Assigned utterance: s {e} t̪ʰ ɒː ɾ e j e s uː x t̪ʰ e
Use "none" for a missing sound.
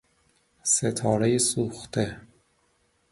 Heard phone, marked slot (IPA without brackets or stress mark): e